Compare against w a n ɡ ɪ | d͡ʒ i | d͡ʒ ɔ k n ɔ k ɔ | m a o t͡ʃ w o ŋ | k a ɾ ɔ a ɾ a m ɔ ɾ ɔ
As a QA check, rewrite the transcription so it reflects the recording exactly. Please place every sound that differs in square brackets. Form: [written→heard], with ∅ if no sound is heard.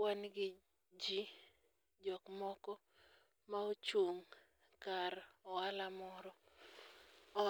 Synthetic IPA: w a n ɡ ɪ | d͡ʒ i | d͡ʒ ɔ k [n→m] ɔ k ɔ | m a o t͡ʃ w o ŋ | k a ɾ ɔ a [ɾ→l] a m ɔ ɾ ɔ